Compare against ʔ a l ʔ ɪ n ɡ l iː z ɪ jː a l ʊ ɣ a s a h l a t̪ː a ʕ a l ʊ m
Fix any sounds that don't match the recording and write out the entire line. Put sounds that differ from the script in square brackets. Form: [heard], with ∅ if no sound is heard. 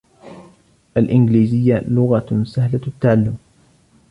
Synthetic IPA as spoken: ʔ a l ʔ ɪ n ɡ l iː z ɪ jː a l ʊ ɣ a s a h l a t̪ː a ʕ a [lː] ʊ m